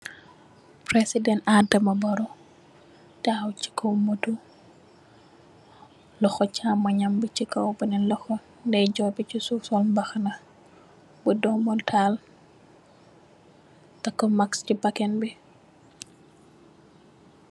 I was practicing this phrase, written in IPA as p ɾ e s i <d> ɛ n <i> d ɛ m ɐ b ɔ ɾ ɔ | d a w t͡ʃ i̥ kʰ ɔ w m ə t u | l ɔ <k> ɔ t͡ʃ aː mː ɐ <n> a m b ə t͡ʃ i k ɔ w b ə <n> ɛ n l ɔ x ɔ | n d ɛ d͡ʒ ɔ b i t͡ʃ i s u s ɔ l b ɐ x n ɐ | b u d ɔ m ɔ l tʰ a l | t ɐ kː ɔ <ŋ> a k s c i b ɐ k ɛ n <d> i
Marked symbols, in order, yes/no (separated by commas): yes, no, no, no, yes, no, no